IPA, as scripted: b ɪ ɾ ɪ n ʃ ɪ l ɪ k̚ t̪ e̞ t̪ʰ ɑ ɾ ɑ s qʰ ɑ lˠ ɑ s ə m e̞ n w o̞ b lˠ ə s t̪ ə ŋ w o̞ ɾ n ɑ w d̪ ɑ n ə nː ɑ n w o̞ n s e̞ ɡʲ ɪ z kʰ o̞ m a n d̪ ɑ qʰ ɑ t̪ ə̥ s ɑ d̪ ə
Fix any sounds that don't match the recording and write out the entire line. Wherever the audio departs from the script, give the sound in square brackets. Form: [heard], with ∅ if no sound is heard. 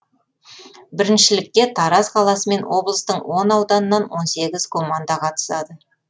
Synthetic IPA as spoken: b ɪ ɾ ɪ n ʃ ɪ l ɪ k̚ t̪ e̞ t̪ʰ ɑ ɾ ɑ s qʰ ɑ lˠ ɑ s ə m e̞ n w o̞ b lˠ ə s t̪ ə [ɴ] w o̞ [∅] n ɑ w d̪ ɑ n ə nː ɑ n w o̞ n s e̞ ɡʲ ɪ z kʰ o̞ m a n d̪ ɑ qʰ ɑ t̪ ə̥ s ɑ d̪ ə